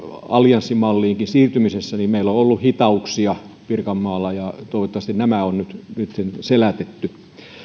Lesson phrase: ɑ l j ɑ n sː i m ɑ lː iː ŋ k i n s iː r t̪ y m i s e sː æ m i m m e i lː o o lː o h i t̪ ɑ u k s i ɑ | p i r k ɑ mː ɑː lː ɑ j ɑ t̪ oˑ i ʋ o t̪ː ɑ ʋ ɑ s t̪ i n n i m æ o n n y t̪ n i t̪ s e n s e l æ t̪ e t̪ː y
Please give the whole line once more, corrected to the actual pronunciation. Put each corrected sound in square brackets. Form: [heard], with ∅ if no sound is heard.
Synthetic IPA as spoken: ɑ l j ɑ n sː i m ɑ lː iː ŋ k i n s iː r t̪ y m i s e sː æ [n] i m m e i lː o o lː [u] h i t̪ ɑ u k s i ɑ | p i r k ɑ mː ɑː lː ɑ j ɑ t̪ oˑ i ʋ o t̪ː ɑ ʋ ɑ s t̪ i n n [æ] m æ o n n y t̪ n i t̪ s e n s e l æ t̪ e t̪ː y